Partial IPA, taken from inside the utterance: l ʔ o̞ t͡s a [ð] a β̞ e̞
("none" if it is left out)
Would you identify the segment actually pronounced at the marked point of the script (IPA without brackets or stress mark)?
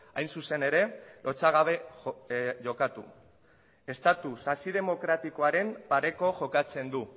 ɣ